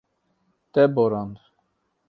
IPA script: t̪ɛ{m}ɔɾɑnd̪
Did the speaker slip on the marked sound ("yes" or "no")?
yes